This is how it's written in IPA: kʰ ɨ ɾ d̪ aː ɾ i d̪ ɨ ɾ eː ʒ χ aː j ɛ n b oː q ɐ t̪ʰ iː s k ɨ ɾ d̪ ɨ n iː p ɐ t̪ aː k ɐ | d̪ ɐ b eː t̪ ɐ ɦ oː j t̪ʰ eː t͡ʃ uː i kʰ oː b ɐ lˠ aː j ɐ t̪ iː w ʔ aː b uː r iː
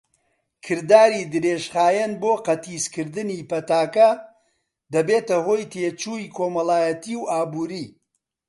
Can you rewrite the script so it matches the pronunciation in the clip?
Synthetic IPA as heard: kʰ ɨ ɾ d̪ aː ɾ i d̪ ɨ ɾ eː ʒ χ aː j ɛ n b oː q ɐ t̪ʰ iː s k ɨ ɾ d̪ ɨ n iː p ɐ t̪ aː k ɐ | d̪ ɐ b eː t̪ ɐ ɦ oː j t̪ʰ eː t͡ʃ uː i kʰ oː m ɐ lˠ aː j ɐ t̪ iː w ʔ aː b uː ɾ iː